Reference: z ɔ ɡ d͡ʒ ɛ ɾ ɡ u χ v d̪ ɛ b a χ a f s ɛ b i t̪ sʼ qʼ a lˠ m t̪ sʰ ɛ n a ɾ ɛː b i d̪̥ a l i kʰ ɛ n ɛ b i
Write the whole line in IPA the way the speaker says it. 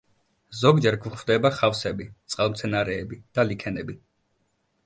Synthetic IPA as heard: z ɔ ɡ d͡ʒ ɛ ɾ ɡ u χ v d̪ ɛ b a χ a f s ɛ b i t̪ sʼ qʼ a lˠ m t̪ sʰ ɛ n a ɾ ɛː b i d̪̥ a l i kʰ ɛ n ɛ b i